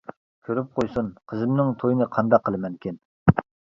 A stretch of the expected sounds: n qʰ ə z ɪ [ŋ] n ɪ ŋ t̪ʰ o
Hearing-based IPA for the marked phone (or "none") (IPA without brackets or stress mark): m